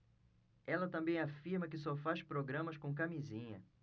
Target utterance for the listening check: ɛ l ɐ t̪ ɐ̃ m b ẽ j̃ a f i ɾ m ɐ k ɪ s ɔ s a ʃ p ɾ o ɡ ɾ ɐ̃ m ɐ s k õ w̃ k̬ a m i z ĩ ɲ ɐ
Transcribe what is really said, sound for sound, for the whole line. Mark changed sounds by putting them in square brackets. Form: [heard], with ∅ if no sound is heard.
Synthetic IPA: ɛ l ɐ t̪ ɐ̃ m b ẽ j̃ a f i ɾ m ɐ k ɪ s ɔ [f] a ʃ p ɾ o ɡ ɾ ɐ̃ m ɐ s k õ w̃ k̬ a m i z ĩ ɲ ɐ

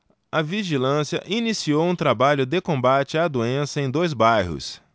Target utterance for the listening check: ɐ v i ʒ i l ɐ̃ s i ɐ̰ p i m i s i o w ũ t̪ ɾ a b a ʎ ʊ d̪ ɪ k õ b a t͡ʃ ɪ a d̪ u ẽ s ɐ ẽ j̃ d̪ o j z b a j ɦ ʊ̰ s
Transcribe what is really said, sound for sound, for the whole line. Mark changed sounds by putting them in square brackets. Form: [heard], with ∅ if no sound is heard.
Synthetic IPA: ɐ v i ʒ i l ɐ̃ s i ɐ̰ [ʔ] i [n] i s i o w ũ t̪ ɾ a b a ʎ ʊ d̪ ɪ k õ b a t͡ʃ ɪ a d̪ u ẽ s ɐ ẽ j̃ d̪ o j z b a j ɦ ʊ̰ s

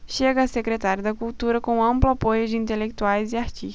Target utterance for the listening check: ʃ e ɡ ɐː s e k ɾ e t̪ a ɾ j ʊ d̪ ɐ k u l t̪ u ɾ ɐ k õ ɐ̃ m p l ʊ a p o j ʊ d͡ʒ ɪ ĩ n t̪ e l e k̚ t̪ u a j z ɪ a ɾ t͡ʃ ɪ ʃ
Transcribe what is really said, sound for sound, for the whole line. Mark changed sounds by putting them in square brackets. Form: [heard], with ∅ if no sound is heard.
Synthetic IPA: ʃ e ɡ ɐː s e k ɾ e t̪ a ɾ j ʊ d̪ ɐ k u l t̪ u ɾ ɐ k õ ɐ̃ m p l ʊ a p o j ʊ d͡ʒ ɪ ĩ n t̪ e l e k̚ t̪ u a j z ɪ a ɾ t͡ʃ [i] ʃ

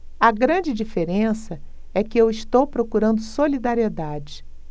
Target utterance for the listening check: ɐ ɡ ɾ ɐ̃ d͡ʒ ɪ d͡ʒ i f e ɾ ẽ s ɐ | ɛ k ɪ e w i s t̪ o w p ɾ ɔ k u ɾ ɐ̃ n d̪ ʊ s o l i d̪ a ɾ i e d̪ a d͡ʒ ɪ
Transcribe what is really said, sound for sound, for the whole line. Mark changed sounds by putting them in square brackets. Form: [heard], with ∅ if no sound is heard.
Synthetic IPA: ɐ ɡ ɾ ɐ̃ d͡ʒ ɪ d͡ʒ i f e ɾ ẽ s ɐ | ɛ k ɪ e w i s t̪ o w p ɾ [o] k u ɾ ɐ̃ n d̪ ʊ s o l i d̪ a ɾ i e d̪ a d͡ʒ ɪ

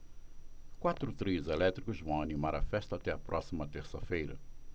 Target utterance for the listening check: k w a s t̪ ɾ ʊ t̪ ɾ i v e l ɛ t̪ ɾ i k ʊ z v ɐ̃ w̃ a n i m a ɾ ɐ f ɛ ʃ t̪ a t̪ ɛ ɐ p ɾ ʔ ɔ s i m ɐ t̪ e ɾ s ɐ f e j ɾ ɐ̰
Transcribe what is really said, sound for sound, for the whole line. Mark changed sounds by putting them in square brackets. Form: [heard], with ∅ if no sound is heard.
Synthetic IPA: k w a [∅] t̪ ɾ ʊ t̪ ɾ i [z] e l ɛ t̪ ɾ i k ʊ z v ɐ̃ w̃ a n i m a ɾ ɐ f ɛ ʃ t̪ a t̪ ɛ ɐ p ɾ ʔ ɔ s i m ɐ t̪ e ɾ s ɐ f e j ɾ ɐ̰

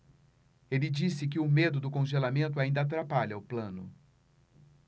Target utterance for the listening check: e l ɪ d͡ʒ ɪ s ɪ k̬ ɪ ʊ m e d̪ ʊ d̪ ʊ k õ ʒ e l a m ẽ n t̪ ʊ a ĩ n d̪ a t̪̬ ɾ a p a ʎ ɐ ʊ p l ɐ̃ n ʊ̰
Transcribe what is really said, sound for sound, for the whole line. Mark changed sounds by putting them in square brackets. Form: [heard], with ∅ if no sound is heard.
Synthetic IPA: e l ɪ d͡ʒ [i] s ɪ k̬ ɪ ʊ m e d̪ ʊ d̪ ʊ k õ ʒ e l a m ẽ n t̪ ʊ a ĩ n d̪ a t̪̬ ɾ a p a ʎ ɐ ʊ p l ɐ̃ n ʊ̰

